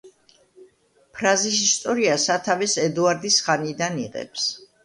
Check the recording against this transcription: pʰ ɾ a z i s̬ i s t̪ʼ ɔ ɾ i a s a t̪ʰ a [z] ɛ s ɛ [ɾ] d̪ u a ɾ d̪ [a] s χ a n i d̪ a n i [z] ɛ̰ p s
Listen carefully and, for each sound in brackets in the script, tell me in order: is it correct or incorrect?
incorrect, incorrect, incorrect, incorrect

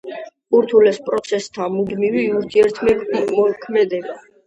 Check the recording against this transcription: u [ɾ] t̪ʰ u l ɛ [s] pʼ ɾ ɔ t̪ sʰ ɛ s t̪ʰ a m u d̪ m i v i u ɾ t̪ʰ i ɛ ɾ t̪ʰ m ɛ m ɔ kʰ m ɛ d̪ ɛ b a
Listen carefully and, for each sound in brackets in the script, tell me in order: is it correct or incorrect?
correct, correct

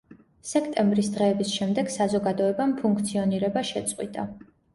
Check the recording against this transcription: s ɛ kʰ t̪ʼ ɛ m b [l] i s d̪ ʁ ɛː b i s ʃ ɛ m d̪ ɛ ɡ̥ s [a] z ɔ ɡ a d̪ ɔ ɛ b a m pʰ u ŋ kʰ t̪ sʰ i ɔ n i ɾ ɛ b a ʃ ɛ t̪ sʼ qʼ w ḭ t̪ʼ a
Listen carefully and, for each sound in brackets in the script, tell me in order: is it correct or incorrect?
incorrect, correct

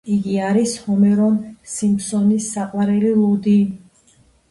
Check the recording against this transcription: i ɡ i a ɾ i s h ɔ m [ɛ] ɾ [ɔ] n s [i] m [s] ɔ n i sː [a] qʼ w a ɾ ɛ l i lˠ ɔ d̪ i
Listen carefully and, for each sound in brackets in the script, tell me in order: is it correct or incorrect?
correct, correct, correct, correct, correct

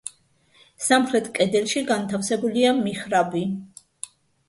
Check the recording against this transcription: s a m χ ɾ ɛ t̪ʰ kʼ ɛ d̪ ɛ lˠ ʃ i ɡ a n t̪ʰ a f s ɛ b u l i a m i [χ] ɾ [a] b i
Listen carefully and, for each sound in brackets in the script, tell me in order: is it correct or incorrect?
correct, correct

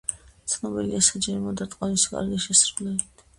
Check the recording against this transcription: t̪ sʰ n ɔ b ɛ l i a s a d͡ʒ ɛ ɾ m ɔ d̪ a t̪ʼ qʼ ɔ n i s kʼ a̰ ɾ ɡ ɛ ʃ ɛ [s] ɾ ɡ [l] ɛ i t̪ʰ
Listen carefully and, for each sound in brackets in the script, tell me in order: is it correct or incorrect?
correct, correct

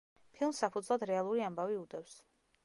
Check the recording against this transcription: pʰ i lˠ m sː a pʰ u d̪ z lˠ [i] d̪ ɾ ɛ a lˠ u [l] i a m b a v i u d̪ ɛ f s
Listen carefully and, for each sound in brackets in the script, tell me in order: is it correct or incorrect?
incorrect, incorrect

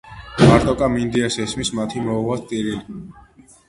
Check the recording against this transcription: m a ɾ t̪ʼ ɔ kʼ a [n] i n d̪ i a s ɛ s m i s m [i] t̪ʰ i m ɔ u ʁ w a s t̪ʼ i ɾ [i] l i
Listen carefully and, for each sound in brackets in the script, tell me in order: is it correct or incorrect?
incorrect, incorrect, correct

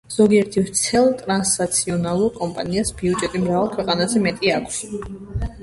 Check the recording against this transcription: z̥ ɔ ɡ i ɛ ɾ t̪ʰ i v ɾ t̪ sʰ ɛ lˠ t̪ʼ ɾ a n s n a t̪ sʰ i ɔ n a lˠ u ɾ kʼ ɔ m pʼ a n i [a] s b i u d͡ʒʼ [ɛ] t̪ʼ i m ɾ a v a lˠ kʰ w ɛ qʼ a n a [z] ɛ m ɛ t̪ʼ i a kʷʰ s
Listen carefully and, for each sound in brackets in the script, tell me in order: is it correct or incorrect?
correct, correct, correct

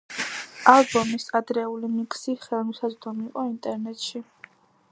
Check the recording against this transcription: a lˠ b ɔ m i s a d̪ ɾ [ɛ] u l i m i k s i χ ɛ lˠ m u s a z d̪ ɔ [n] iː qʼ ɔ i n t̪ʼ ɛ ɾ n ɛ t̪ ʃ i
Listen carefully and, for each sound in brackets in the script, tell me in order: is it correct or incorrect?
correct, incorrect

